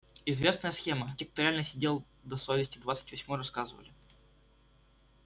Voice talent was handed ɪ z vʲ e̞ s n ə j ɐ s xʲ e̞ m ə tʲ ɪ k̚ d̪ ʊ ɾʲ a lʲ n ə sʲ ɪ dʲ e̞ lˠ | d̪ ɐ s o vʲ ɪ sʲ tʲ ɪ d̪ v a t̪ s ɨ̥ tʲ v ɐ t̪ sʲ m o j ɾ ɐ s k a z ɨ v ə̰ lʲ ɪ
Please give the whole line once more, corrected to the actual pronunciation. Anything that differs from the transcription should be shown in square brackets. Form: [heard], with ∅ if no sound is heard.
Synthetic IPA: ɪ z vʲ e̞ s n ə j [ə] s xʲ e̞ m ə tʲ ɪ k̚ [t̪] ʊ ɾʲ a lʲ n ə sʲ ɪ dʲ e̞ lˠ | d̪ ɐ s o vʲ ɪ sʲ tʲ ɪ d̪ v a t̪ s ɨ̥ tʲ v ɐ [∅] sʲ m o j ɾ ɐ s k a z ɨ v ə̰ lʲ ɪ